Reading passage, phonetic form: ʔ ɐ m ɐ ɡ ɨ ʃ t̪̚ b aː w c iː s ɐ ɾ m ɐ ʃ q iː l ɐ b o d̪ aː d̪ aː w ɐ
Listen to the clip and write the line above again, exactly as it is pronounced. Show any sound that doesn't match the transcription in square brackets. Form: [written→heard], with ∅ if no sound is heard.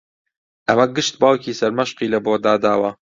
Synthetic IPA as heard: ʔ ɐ m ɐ ɡ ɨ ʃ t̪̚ b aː w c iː s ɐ ɾ m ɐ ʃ q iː l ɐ b o d̪ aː d̪ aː w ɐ